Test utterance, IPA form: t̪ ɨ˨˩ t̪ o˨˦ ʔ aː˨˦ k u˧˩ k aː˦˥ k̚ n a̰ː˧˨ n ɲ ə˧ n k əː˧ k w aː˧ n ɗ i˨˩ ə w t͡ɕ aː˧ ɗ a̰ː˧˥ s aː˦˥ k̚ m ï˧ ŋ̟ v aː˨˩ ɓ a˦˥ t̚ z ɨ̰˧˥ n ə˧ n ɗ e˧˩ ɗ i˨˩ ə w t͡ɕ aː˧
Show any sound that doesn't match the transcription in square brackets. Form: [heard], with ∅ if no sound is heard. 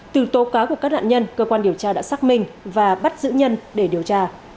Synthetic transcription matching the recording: t̪ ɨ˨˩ t̪ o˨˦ [k] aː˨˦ k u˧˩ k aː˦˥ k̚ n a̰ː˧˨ n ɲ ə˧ n k əː˧ k w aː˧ n ɗ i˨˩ ə w t͡ɕ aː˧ ɗ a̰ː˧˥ s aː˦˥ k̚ m ï˧ ŋ̟ v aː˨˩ ɓ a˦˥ t̚ z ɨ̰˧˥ [ɲ] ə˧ n ɗ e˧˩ ɗ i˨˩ ə w t͡ɕ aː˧